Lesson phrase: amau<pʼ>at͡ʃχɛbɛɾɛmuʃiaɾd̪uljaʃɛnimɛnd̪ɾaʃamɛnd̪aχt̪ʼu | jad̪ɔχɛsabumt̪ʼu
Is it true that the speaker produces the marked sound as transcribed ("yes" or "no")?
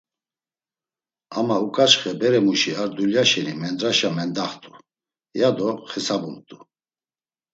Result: no